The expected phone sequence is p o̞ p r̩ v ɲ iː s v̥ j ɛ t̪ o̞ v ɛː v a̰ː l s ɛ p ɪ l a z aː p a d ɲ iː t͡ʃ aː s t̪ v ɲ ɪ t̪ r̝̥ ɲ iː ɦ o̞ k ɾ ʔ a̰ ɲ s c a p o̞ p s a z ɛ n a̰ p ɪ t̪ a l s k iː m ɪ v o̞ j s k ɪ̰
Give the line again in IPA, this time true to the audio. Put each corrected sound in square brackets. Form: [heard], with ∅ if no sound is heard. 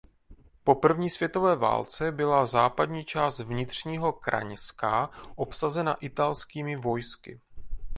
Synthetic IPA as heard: p o̞ p r̩ v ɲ iː s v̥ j ɛ t̪ o̞ v ɛː v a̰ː l [t͡s] ɛ [b] ɪ l a z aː p a d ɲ iː t͡ʃ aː s t̪ v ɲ ɪ t̪ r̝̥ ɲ iː ɦ o̞ k ɾ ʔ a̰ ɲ s [k] a [ʔ] o̞ p s a z ɛ n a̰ [ʔ] ɪ t̪ a l s k iː m ɪ v o̞ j s k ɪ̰